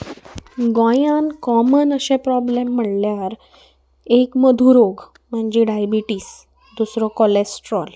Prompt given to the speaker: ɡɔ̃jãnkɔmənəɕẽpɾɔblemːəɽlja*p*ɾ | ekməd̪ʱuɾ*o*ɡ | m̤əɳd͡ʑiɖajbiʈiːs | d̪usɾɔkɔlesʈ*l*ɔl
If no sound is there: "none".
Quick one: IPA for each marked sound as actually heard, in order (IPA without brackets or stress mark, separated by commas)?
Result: none, o, ɾ